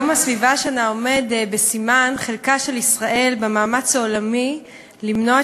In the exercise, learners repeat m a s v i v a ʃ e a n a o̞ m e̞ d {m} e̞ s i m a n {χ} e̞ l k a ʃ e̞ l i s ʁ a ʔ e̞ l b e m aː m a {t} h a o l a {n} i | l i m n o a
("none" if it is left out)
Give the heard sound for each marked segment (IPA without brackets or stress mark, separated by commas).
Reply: b, χ, t͡s, m